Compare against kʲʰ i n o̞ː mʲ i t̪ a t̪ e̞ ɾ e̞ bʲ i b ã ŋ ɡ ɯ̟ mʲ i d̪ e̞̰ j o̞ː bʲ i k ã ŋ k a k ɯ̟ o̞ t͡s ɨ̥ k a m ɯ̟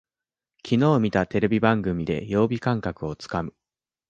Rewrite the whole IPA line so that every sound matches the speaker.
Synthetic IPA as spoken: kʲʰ i n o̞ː mʲ i t̪ a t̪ e̞ ɾ e̞ bʲ i b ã ŋ ɡ ɯ̟ mʲ i d̪ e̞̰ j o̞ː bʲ i k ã ŋ k a k ɯ̟ o̞ t͡s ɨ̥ k a m ɯ̟